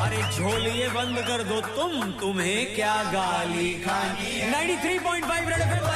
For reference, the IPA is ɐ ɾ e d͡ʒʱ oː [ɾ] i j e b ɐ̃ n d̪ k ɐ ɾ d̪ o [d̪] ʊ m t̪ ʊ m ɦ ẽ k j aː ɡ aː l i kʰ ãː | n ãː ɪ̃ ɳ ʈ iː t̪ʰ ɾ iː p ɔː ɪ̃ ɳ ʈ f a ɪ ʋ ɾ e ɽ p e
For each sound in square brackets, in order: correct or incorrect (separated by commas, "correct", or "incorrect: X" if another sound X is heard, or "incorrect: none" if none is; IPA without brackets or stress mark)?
incorrect: l, incorrect: t̪